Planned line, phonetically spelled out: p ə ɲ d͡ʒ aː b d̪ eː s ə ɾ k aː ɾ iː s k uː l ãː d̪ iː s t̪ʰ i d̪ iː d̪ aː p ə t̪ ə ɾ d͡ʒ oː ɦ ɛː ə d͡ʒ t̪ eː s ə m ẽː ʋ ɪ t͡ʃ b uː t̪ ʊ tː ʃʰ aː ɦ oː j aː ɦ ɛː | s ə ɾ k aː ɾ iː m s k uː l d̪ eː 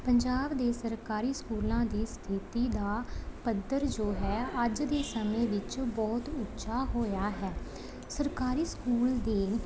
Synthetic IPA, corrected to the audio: p ə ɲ d͡ʒ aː b d̪ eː s ə ɾ k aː ɾ iː s k uː l ãː d̪ iː s t̪ʰ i t̪ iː d̪ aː p ə d̪ ə ɾ d͡ʒ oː ɦ ɛː ə d͡ʒ d̪ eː s ə m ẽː ʋ ɪ t͡ʃ b ɔː t̪ ʊ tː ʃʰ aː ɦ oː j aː ɦ ɛː | s ə ɾ k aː ɾ iː s k uː l d̪ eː